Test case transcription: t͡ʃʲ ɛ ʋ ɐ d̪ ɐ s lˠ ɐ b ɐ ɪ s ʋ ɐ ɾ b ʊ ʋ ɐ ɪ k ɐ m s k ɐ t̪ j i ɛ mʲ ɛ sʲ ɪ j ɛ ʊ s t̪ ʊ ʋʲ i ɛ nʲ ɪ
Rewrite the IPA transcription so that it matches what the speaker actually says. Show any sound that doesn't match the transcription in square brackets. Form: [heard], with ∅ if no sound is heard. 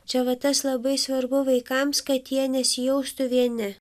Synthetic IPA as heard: t͡ʃʲ ɛ ʋ ɐ [t̪] ɐ s lˠ ɐ b ɐ ɪ s ʋ ɐ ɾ b ʊ ʋ ɐ ɪ k ɐ m s k ɐ t̪ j i ɛ [nʲ] ɛ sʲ ɪ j ɛ ʊ s t̪ ʊ ʋʲ i ɛ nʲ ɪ